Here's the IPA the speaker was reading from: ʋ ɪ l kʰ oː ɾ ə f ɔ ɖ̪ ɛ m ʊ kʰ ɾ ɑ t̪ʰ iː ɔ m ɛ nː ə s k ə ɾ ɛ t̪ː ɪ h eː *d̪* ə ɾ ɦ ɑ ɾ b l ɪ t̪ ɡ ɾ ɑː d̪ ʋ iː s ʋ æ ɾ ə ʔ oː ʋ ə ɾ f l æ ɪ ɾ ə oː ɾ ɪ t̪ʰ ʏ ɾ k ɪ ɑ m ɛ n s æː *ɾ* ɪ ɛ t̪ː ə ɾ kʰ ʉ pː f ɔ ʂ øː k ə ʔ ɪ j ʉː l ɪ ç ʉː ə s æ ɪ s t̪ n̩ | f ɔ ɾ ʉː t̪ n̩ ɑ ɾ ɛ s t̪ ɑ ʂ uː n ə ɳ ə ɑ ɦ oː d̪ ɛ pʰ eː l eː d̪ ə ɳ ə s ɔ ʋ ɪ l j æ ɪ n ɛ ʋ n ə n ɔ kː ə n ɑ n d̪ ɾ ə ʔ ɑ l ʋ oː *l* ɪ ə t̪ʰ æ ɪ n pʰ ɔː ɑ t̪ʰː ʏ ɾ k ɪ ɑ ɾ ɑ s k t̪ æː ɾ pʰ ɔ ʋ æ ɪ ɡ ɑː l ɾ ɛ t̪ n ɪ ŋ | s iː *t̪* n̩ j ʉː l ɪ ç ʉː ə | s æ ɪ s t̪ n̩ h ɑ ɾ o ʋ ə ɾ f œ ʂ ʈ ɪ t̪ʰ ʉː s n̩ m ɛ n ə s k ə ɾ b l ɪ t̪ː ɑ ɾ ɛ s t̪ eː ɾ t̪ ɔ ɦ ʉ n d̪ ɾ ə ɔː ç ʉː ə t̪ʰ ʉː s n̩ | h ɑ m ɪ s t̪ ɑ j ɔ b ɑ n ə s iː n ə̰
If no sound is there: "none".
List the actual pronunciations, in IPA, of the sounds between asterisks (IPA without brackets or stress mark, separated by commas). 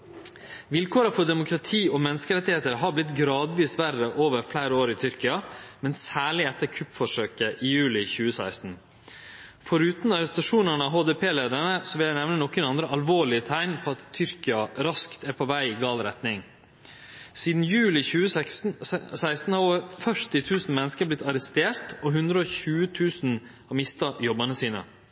t̪, ɭ, ɭ, d̪